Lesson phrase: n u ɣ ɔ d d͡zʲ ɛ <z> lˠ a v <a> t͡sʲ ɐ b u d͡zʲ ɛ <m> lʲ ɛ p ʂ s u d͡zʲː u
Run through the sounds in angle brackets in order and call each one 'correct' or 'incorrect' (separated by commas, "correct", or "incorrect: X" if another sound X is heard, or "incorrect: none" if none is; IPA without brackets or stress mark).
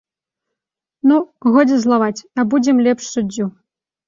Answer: correct, correct, correct